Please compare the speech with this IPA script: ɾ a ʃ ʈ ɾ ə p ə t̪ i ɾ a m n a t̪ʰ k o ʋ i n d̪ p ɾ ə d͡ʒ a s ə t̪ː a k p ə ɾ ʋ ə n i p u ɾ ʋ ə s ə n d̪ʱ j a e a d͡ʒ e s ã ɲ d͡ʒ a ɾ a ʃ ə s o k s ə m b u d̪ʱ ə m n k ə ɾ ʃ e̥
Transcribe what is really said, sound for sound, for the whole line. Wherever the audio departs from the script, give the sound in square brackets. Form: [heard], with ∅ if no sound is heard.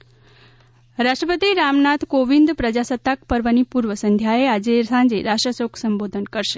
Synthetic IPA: ɾ a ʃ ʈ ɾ ə p ə t̪ i ɾ a m n a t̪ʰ k o ʋ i n d̪ p ɾ ə d͡ʒ a s ə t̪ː a k p ə ɾ ʋ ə n i p u ɾ ʋ ə s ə n d̪ʱ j a e a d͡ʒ e s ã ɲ d͡ʒ [e] ɾ a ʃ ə s o k s ə m b [o] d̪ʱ ə [∅] n k ə ɾ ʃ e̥